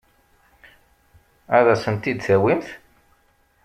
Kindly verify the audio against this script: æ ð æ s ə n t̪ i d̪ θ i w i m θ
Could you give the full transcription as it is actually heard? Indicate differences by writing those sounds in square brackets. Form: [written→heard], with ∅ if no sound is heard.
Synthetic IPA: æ ð æ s ə n t̪ i d̪ θ [i→æ] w i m θ